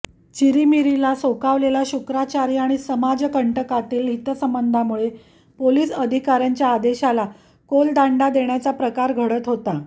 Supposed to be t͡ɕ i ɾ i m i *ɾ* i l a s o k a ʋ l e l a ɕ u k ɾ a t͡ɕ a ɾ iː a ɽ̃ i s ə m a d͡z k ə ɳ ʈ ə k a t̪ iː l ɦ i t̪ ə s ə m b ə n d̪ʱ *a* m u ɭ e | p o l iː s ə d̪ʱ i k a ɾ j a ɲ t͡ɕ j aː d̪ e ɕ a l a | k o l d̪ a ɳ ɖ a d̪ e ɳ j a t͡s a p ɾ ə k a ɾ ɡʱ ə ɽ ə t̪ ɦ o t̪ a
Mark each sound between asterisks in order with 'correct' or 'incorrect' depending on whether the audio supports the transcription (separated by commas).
correct, correct